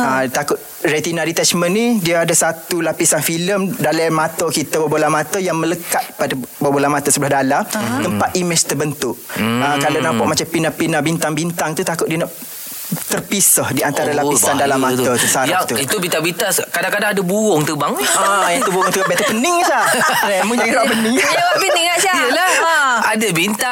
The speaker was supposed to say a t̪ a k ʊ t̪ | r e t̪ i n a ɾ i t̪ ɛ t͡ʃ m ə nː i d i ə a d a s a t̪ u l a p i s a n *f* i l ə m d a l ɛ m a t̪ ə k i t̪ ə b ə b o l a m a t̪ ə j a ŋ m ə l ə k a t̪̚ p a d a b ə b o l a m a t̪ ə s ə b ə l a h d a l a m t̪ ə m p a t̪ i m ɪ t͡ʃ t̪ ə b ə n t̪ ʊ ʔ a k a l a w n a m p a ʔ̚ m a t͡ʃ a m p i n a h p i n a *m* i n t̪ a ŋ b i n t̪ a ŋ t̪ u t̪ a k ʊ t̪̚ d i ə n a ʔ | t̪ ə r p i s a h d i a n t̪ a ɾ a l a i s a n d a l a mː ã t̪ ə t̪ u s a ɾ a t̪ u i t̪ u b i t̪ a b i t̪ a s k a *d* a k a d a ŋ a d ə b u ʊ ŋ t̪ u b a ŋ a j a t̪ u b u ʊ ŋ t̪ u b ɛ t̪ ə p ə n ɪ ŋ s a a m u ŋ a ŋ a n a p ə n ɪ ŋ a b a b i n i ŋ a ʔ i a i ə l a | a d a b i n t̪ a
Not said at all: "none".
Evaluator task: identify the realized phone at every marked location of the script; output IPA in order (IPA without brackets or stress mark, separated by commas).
f, b, d